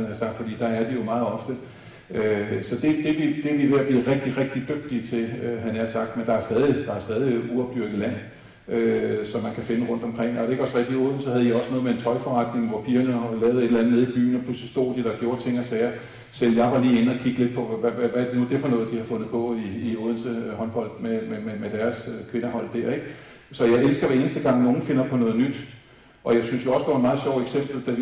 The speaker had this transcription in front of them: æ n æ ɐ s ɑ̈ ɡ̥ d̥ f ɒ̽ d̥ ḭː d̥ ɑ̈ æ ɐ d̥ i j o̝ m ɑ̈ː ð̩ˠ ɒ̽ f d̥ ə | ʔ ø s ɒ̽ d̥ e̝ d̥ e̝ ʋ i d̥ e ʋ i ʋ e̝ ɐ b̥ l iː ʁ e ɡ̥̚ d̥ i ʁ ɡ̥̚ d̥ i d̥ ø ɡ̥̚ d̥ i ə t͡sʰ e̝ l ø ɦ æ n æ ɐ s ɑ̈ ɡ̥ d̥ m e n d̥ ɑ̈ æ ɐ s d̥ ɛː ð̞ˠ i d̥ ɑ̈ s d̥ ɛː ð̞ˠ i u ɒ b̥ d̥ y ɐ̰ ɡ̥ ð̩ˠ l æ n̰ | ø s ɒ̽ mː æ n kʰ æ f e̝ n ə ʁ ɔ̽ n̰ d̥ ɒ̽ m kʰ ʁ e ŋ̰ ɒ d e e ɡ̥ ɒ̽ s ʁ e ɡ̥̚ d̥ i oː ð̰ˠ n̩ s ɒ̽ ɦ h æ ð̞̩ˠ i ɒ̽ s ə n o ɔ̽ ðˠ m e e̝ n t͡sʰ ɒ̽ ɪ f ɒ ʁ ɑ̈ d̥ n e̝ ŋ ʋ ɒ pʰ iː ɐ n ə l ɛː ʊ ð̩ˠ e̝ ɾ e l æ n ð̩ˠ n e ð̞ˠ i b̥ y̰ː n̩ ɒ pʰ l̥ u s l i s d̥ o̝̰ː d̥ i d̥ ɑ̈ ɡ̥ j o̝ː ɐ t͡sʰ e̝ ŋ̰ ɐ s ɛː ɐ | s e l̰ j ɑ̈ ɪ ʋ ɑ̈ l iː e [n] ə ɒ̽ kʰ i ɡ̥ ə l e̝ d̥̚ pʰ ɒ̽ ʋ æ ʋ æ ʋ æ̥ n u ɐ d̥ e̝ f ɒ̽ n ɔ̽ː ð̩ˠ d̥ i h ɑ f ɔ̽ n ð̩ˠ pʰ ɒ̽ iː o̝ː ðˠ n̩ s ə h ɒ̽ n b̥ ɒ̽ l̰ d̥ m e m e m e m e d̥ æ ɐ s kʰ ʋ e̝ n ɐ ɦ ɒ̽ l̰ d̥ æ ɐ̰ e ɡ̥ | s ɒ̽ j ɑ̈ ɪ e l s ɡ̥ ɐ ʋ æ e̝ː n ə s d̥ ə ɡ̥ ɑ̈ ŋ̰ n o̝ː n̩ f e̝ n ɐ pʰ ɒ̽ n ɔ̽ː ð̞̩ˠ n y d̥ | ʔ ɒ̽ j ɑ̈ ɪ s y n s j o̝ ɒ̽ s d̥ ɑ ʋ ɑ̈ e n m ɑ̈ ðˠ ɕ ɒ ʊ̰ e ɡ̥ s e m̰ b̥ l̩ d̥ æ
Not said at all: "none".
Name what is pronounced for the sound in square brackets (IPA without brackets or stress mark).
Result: n